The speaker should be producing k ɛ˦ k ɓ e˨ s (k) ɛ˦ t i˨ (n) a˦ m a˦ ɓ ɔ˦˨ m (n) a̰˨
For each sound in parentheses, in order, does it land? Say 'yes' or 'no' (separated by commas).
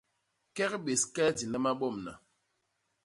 yes, yes, yes